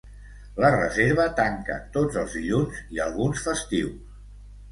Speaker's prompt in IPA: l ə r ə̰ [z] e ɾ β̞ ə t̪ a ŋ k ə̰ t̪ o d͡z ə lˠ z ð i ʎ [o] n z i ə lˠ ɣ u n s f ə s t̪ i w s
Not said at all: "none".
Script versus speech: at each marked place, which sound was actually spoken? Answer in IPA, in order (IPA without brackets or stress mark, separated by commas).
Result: z, u